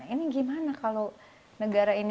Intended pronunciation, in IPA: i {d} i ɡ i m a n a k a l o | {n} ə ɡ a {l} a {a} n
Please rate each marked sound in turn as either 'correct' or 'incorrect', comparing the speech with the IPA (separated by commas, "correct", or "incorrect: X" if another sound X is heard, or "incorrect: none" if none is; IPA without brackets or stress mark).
incorrect: n, correct, incorrect: ɾ, incorrect: i